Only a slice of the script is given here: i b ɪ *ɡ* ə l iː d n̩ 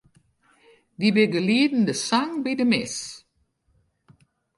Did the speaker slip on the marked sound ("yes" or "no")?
no